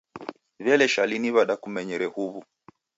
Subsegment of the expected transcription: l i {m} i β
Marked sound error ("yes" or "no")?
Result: yes